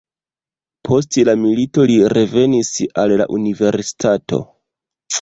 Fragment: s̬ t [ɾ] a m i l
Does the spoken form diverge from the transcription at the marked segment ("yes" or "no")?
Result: yes